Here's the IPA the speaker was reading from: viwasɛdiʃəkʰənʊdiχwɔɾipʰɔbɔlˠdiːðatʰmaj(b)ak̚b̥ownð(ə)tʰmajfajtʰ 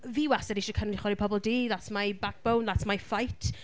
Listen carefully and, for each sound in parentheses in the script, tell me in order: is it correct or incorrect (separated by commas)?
correct, incorrect